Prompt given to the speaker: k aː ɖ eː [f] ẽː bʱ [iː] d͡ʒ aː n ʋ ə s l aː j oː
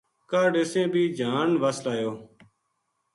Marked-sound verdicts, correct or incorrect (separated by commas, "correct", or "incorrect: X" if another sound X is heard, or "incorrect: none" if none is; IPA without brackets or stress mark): incorrect: s, correct